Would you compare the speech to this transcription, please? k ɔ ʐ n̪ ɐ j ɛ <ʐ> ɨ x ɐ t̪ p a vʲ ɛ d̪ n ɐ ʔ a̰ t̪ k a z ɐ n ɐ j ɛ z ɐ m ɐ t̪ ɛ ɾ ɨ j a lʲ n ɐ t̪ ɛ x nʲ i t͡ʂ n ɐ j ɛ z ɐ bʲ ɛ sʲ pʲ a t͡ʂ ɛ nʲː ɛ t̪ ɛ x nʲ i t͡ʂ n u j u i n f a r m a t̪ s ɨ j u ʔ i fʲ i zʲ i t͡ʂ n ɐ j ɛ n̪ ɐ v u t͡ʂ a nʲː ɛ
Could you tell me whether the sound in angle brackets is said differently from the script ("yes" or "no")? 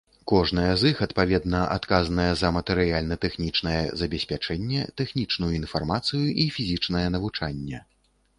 yes